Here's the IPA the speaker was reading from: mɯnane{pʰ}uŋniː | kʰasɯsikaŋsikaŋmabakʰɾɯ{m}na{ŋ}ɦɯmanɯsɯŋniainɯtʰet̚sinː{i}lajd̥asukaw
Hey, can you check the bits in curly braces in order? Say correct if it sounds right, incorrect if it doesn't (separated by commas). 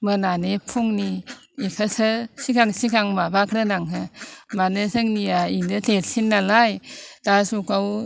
correct, incorrect, correct, incorrect